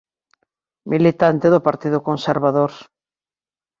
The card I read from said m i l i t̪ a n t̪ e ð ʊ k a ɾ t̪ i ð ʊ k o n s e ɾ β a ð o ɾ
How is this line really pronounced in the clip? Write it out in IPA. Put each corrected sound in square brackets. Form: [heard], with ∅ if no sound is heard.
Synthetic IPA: m i l i t̪ a n t̪ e ð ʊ [p] a ɾ t̪ i ð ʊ k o n s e ɾ β a ð o ɾ

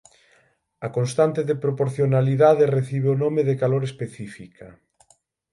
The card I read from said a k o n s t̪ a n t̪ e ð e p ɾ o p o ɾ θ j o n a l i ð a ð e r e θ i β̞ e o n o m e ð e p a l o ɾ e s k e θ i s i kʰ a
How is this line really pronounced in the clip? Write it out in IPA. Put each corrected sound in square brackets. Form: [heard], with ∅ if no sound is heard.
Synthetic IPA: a k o n s t̪ a n t̪ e ð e p ɾ o p o ɾ θ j o n a l i ð a ð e r e θ i β̞ e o n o m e ð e [k] a l o ɾ e s [p] e θ i [f] i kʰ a

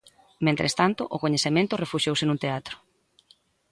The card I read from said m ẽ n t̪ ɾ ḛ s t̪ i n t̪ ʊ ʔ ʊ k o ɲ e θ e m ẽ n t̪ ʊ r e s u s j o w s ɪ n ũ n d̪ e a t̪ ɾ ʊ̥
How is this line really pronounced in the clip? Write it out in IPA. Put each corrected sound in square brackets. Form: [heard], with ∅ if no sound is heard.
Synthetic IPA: m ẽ n t̪ ɾ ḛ s t̪ [a] n t̪ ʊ ʔ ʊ k o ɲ e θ e m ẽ n t̪ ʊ r e [f] u [ʃ] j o w s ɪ n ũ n [t̪] e a t̪ ɾ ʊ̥

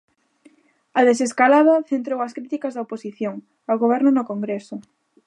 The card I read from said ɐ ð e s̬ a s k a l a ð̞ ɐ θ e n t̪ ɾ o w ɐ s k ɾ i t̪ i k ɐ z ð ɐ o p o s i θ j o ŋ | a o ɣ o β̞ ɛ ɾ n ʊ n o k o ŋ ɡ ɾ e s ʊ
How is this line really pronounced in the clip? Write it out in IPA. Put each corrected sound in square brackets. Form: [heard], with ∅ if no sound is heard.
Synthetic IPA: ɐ ð e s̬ [e] s k a l a ð̞ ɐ θ e n t̪ ɾ o w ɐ s k ɾ i t̪ i k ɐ z ð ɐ o p o s i θ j o ŋ | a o ɣ o β̞ ɛ ɾ n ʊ n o k o ŋ ɡ ɾ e s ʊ

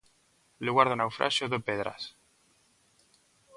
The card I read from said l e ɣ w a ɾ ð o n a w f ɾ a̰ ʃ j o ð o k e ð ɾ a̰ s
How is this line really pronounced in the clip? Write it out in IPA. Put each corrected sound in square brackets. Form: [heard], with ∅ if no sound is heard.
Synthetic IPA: l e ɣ w a ɾ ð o n a w f ɾ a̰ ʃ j o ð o [p] e ð ɾ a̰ s

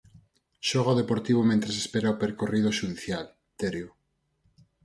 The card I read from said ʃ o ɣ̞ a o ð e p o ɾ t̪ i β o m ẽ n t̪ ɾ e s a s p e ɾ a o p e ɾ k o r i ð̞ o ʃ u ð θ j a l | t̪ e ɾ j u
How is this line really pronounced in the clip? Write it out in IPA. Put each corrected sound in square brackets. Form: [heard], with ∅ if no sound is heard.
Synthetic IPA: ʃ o ɣ̞ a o ð e p o ɾ t̪ i β o m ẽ n t̪ ɾ e s [e] s p e ɾ a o p e ɾ k o r i ð̞ o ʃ u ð θ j a l | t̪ e ɾ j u

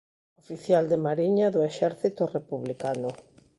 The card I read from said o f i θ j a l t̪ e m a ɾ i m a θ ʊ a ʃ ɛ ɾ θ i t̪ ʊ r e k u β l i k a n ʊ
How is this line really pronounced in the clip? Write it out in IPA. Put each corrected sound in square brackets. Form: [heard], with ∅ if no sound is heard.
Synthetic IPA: o f i θ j a l [d̪] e m a ɾ i [ɲ] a [ð] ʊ [e] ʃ ɛ ɾ θ i t̪ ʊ r e [p] u β l i k a n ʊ

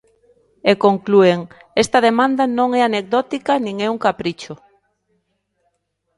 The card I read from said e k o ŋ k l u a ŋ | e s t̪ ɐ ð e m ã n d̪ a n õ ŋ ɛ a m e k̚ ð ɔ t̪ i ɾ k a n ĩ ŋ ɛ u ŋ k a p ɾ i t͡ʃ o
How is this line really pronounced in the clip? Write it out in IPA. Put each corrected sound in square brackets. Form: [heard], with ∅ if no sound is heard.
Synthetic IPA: e k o ŋ k l u [e] ŋ | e s t̪ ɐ ð e m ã n d̪ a n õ ŋ ɛ a [n] e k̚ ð ɔ t̪ i [∅] k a n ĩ ŋ ɛ u ŋ k a p ɾ i t͡ʃ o

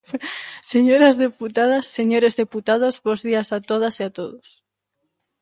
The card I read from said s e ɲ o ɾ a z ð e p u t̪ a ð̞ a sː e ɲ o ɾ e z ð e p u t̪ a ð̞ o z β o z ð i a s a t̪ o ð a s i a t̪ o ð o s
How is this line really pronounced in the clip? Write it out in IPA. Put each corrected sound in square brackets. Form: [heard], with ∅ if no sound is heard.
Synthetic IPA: s e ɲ o ɾ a z ð e p u t̪ a ð̞ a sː e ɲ o ɾ e z ð e p u t̪ a ð̞ o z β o z ð i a s a t̪ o ð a s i a t̪ o ð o s

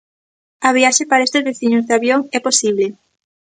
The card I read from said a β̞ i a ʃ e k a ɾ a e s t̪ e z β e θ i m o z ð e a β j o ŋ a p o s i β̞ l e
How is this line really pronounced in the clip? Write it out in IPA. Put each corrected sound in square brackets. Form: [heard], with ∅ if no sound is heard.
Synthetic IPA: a β̞ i a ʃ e [p] a ɾ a e s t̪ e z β e θ i [ɲ] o z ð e a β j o ŋ [ɛ] p o s i β̞ l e

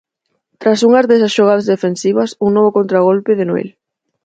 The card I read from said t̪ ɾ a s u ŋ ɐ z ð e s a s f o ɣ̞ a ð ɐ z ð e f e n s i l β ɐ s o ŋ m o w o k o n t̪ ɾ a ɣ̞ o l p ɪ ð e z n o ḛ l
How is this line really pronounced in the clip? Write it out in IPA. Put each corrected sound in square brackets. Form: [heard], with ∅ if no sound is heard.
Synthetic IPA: t̪ ɾ a s u ŋ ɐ z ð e s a s [ʃ] o ɣ̞ a ð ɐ z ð e f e n s i [∅] β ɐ s [u] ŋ [n] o [β] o k o n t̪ ɾ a ɣ̞ o l p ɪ ð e [∅] n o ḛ l

